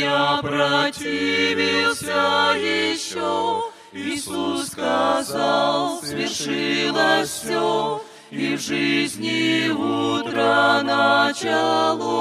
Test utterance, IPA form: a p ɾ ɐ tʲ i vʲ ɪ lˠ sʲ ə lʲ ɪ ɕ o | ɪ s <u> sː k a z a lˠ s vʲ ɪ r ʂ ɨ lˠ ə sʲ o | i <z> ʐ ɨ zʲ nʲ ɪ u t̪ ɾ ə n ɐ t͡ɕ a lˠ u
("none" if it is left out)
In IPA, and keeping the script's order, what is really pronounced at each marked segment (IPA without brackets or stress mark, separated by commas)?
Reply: u, v